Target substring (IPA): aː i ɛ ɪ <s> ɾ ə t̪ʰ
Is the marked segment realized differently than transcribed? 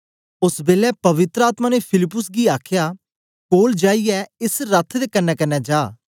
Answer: no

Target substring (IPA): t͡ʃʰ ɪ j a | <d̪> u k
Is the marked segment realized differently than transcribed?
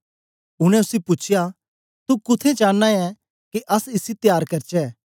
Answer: yes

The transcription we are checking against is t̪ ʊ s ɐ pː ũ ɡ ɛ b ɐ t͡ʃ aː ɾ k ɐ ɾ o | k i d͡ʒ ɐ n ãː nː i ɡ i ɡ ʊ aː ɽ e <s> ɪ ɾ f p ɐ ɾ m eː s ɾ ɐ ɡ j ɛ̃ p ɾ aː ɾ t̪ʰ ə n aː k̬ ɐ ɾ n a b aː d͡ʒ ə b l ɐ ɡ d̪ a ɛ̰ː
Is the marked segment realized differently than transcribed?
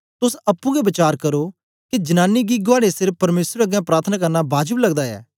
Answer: no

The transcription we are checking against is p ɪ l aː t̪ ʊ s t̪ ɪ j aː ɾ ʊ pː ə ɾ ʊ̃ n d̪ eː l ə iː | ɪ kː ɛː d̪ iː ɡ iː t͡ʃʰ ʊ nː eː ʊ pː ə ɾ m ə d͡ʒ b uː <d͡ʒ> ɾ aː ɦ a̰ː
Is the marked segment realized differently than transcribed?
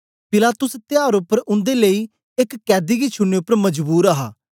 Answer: yes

